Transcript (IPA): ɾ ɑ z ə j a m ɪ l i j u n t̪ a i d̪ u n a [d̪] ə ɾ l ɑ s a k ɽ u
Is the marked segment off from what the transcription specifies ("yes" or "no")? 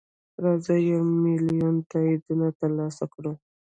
yes